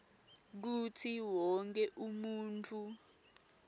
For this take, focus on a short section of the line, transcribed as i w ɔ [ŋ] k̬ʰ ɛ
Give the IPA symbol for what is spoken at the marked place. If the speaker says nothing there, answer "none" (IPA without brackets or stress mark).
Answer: ŋ